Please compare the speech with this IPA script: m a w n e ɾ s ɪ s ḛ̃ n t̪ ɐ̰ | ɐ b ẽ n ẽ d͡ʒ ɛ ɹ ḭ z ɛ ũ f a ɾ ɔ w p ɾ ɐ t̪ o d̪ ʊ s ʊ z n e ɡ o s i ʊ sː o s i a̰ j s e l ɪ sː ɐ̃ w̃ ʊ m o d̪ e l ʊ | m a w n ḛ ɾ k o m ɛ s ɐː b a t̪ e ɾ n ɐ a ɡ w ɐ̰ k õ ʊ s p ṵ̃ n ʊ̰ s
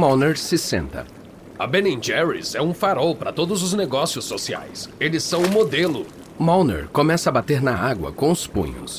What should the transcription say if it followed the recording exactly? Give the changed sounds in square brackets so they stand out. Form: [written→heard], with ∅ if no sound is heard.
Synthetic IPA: m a w n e ɾ s ɪ s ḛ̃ n t̪ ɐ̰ | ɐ b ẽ n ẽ d͡ʒ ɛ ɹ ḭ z ɛ ũ f a ɾ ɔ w p ɾ ɐ t̪ o d̪ ʊ [s→z] ʊ z n e ɡ [o→ɔ] s i ʊ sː o s i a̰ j s e l ɪ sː ɐ̃ w̃ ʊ m o d̪ e l ʊ | m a w n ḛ ɾ k o m ɛ s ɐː b a t̪ e ɾ n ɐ a ɡ w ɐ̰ k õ ʊ s p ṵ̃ [n→ɲ] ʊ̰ s